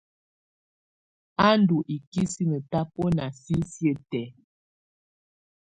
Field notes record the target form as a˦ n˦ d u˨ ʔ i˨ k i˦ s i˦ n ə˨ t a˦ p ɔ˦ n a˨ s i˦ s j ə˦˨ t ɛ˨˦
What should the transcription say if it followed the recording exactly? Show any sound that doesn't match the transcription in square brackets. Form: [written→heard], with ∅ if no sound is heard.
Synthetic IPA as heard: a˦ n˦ d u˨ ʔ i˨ k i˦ s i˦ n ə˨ t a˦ p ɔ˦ n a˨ s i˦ s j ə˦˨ t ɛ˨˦